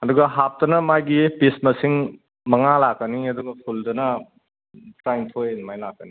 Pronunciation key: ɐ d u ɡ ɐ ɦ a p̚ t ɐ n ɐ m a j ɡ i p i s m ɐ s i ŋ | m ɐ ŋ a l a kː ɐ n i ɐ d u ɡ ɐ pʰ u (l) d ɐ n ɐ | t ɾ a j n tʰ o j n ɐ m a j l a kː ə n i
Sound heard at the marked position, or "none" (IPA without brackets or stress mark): l